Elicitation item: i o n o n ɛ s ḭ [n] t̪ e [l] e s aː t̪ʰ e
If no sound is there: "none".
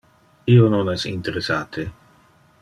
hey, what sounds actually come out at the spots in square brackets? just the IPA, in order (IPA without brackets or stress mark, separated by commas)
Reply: n, ɾ